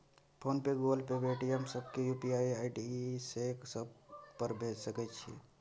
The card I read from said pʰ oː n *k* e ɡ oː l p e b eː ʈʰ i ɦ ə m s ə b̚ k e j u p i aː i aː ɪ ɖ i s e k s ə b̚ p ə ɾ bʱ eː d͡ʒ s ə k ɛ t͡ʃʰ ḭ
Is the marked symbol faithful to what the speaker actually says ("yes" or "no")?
no